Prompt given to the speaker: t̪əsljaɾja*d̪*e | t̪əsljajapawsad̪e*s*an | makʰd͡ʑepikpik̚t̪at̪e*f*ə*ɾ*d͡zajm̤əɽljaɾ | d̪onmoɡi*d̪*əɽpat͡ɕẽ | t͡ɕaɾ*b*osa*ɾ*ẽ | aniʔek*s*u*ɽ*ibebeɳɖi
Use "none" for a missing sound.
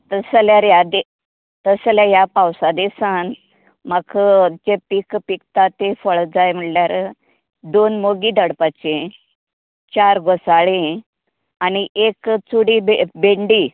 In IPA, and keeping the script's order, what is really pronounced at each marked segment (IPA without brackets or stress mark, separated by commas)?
d̪, s, f, ɭ, d̪, ɡ, ɭ, t͡s, ɽ